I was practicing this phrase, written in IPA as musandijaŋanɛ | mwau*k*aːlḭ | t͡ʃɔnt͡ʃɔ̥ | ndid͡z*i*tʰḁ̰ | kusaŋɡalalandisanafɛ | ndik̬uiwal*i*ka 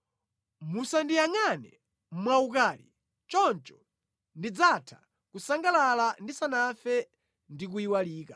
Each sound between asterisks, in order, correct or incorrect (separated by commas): correct, incorrect, incorrect